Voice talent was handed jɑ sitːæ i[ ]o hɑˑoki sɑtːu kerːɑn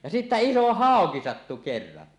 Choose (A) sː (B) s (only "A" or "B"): B